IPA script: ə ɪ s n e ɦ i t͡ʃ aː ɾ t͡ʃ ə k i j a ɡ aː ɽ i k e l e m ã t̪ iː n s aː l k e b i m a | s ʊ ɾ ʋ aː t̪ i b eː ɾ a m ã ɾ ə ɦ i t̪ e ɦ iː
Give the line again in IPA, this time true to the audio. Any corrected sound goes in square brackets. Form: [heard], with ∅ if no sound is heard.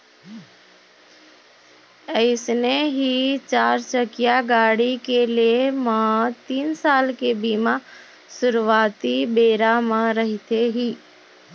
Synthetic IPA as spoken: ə ɪ s n e ɦ i t͡ʃ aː ɾ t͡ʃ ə k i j a ɡ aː ɽ i k e l e m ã t̪ iː n s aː l k e b i m a | s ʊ ɾ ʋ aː t̪ i b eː ɾ a m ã ɾ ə ɦ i t̪ e ɦ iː